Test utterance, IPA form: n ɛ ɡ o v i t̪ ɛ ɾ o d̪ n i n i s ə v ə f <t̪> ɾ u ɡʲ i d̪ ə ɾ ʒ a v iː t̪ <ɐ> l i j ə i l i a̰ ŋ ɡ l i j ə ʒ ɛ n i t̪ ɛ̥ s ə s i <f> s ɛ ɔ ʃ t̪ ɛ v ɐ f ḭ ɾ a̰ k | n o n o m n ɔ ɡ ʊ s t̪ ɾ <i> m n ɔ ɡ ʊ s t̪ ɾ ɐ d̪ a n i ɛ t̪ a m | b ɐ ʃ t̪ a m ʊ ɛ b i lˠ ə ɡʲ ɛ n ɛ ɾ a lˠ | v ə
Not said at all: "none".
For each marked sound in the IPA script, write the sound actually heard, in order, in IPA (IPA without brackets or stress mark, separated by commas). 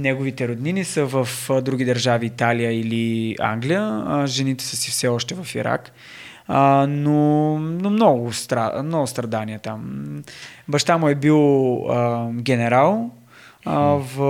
d̪, a, f, a